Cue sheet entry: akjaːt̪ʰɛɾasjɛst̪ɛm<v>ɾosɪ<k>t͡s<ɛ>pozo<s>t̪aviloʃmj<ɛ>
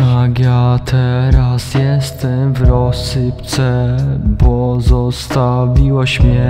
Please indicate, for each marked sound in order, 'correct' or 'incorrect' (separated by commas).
correct, incorrect, correct, correct, correct